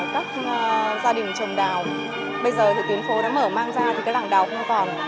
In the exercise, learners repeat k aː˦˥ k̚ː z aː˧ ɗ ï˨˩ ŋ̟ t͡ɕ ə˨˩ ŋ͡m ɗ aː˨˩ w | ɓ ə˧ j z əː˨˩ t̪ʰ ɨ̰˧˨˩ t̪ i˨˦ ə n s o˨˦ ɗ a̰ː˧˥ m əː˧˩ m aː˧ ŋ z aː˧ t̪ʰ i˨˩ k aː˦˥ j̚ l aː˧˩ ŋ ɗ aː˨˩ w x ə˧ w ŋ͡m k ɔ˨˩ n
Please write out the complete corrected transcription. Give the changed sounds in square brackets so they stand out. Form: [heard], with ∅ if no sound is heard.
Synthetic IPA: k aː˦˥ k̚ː z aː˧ ɗ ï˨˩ ŋ̟ t͡ɕ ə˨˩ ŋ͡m ɗ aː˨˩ w | ɓ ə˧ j z əː˨˩ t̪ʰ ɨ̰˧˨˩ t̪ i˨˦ ə n [f] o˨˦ ɗ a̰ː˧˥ m əː˧˩ m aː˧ ŋ z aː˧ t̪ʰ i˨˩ k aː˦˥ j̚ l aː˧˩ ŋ ɗ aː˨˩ w x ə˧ w ŋ͡m k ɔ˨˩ n